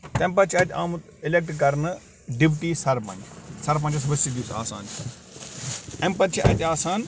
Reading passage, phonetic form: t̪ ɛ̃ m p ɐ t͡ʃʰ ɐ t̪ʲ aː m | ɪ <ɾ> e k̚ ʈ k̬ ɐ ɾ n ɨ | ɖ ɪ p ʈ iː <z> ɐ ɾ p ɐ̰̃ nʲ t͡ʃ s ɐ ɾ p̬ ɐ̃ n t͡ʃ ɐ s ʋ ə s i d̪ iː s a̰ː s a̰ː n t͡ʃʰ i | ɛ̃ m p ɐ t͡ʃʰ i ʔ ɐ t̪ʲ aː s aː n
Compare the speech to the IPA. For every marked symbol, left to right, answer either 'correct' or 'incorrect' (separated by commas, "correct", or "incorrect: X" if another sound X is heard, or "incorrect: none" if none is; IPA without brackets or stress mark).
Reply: incorrect: l, incorrect: s